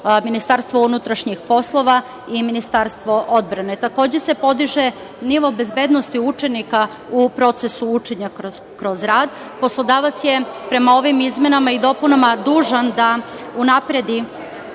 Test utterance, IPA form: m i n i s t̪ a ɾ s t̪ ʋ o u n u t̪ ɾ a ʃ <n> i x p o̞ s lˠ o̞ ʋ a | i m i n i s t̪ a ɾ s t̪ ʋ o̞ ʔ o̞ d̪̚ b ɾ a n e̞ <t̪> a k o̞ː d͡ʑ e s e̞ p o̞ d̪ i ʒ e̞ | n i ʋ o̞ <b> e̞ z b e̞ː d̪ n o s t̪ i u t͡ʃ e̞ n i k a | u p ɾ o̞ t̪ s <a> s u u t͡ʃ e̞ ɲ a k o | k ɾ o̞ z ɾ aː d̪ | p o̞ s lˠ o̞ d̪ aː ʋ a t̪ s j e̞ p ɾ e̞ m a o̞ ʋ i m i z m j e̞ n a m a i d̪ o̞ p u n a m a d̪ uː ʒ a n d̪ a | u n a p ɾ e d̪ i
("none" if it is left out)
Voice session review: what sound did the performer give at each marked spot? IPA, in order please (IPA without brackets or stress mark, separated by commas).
ɲ, t̪, b, e